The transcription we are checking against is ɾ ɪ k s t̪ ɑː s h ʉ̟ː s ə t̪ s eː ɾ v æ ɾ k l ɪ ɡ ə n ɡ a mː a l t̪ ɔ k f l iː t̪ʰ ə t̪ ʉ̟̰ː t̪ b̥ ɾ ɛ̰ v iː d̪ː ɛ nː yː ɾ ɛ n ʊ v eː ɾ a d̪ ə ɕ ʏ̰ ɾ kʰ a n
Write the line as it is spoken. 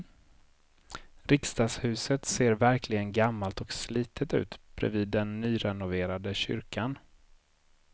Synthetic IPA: ɾ ɪ k s t̪ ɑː s h ʉ̟ː s ə t̪ s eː ɾ v æ ɾ k l ɪ ɡ ə n ɡ a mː a l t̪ ɔ k s l iː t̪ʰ ə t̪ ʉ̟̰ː t̪ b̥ ɾ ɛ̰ v iː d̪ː ɛ nː yː ɾ ɛ n ʊ v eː ɾ a d̪ ə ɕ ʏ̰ ɾ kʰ a n

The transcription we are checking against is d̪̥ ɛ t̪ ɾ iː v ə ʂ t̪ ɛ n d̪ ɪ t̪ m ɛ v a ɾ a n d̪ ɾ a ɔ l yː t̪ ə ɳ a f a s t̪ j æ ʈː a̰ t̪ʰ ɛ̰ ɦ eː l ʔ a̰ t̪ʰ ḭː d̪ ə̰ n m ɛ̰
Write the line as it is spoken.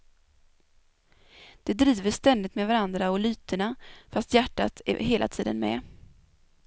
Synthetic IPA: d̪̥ ɛ d̪ ɾ iː v ə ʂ t̪ ɛ n d̪ ɪ t̪ m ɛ v a ɾ a n d̪ ɾ a ɔ l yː t̪ ə ɳ a f a s t̪ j æ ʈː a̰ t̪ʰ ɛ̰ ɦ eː l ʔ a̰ t̪ʰ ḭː d̪ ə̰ n m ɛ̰

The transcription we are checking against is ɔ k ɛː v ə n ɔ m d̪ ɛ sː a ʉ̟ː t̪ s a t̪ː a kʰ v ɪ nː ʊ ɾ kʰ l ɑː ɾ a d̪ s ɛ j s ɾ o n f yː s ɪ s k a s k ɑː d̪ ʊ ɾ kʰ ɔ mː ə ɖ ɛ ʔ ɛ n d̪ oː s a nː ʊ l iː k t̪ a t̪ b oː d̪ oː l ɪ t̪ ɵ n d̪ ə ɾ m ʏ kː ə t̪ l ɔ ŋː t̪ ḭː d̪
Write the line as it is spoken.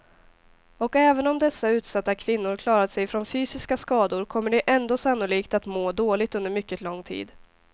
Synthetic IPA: ɔ k ɛː v ə n ɔ m d̪ ɛ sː a ʉ̟ː t̪ s a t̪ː a kʰ v ɪ nː ʊ ɾ kʰ l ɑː ɾ a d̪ s ɛ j f ɾ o n f yː s ɪ s k a s k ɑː d̪ ʊ ɾ kʰ ɔ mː ə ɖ ɛ ʔ ɛ n d̪ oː s a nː ʊ l iː k t̪ a t̪ m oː d̪ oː l ɪ t̪ ɵ n d̪ ə ɾ m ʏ kː ə t̪ l ɔ ŋː t̪ʰ ḭː d̪

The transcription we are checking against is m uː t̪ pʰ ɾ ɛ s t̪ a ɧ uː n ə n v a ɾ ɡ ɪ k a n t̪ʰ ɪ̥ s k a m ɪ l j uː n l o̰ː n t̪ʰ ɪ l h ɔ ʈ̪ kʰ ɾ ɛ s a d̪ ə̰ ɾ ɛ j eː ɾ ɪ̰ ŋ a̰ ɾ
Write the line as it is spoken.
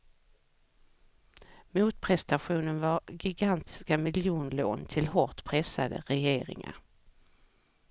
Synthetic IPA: m uː t̪ pʰ ɾ ɛ s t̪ a ɧ uː n ə n v a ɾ ɡ ɪ ɡ a n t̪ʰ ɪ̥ s k a m ɪ l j uː n l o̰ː n t̪ʰ ɪ l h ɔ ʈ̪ pʰ ɾ ɛ s a d̪ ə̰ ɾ ɛ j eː ɾ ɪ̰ ŋ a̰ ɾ

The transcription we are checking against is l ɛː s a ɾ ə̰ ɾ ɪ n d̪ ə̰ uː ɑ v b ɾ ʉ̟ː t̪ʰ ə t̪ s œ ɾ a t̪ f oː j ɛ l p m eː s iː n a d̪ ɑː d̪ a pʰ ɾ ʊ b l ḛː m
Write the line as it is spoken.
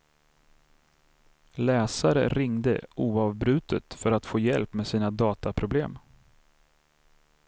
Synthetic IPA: l ɛː s a ɾ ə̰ ɾ ɪ ŋ d̪ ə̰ uː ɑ v b ɾ ʉ̟ː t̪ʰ ə t̪ f œ ɾ a t̪ f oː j ɛ l p m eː s iː n a d̪ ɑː t̪ a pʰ ɾ ʊ b l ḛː m

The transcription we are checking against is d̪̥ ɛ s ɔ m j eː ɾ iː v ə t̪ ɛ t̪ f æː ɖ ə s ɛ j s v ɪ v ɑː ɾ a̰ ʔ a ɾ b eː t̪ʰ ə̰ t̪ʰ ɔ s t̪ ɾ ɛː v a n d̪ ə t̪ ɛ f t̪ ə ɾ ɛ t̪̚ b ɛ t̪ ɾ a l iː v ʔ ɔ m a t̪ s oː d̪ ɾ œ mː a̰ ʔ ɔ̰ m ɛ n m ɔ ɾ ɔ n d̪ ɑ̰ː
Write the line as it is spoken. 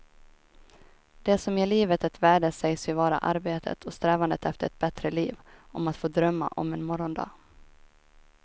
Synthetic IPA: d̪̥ ɛ s ɔ m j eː ɭ iː v ə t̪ ɛ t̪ v æː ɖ ə s ɛ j s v ɪ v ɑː ɾ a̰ ʔ a ɾ b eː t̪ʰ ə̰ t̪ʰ ɔ s t̪ ɾ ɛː v a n d̪ ə t̪ ɛ f t̪ ə ɾ ɛ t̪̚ b ɛ t̪ ɾ ə l iː v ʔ ɔ m a t̪ f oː d̪ ɾ œ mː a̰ ʔ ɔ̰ m ɛ n m ɔ ɾ ɔ n d̪ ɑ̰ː

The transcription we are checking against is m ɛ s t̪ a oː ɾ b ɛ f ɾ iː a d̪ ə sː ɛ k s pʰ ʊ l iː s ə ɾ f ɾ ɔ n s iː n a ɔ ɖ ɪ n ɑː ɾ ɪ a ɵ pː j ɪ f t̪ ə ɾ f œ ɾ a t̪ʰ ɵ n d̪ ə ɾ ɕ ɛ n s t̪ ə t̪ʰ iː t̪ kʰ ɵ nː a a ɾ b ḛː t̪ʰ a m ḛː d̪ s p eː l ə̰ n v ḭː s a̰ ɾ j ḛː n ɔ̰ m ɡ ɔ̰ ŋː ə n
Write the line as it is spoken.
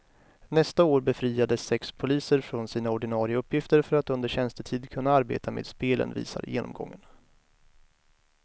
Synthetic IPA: n ɛ s t̪ a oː ɾ b ɛ f ɾ iː a d̪ ə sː ɛ k s pʰ ʊ l iː s ə ɾ f ɾ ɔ n s iː n a ɔ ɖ ɪ n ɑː ɾ ɪ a ɵ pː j ɪ f t̪ ə ɾ f œ ɾ a t̪ ɵ n d̪ ə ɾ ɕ ɛ n s t̪ ə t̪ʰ iː d̪ kʰ ɵ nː a a ɾ b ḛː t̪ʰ a m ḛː d̪ s p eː l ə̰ n v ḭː s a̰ ɾ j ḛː n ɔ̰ m ɡ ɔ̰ ŋː ə n

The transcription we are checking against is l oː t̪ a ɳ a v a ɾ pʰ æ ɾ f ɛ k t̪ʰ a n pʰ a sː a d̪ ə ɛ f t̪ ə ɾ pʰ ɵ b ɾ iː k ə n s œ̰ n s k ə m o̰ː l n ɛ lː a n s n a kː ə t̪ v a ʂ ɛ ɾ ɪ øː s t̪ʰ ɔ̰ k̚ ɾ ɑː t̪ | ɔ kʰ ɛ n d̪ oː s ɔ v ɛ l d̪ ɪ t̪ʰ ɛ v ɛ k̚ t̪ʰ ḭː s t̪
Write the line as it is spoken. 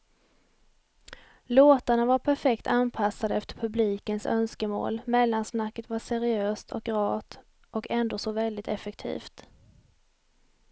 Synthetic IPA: l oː t̪ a ɳ a v a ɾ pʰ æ ɾ f ɛ k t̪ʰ a n pʰ a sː a d̪ ə ɛ f t̪ ə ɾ pʰ ɵ b l iː k ə n s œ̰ n s k ə m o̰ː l m ɛ lː a n s n a kː ə t̪ v a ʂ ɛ ɾ ɪ øː s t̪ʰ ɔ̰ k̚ ɾ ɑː t̪ | ɔ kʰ ɛ n d̪ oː s ɔ v ɛ l d̪ ɪ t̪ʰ ɛ f ɛ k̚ t̪ʰ ḭː f t̪

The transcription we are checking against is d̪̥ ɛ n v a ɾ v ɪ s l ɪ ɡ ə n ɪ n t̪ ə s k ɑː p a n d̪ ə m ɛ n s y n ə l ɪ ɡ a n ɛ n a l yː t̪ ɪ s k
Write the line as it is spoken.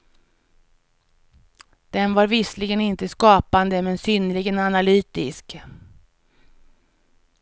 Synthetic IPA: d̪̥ ɛ n v a ɾ v ɪ s l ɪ ɡ ə n ɪ n t̪ ə s k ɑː p a n d̪ ə m ɛ n s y n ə l ɪ ɡ ə n a n a l yː t̪ ɪ s k

